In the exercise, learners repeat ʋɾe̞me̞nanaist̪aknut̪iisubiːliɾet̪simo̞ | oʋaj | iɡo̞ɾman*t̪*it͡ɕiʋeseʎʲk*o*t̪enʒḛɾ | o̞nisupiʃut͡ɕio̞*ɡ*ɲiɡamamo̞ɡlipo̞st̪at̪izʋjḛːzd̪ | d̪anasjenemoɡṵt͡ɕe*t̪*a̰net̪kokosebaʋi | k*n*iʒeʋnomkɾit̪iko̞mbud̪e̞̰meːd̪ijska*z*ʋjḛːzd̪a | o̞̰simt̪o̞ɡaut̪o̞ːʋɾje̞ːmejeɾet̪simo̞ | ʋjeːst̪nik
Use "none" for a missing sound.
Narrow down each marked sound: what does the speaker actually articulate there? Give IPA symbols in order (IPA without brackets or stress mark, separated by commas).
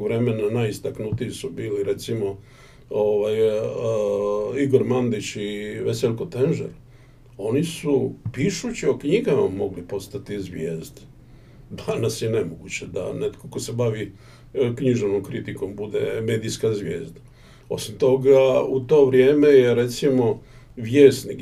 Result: d̪, o, k, d̪, ɲ, z